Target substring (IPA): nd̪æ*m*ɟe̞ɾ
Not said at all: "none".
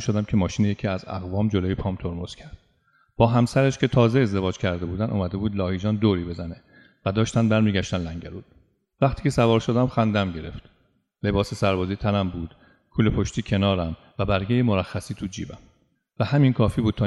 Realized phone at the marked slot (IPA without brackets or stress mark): m